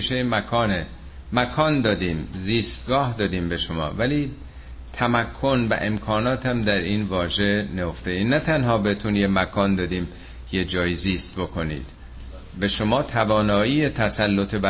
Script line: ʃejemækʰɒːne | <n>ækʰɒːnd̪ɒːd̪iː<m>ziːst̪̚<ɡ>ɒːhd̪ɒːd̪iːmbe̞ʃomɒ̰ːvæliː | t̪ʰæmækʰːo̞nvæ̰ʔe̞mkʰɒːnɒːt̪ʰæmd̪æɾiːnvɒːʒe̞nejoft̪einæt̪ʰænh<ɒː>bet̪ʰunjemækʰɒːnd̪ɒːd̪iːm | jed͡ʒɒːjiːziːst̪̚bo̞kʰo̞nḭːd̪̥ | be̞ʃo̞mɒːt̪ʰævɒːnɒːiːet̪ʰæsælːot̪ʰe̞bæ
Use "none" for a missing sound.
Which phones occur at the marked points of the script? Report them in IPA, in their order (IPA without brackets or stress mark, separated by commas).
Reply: m, m, ɡ, ɒː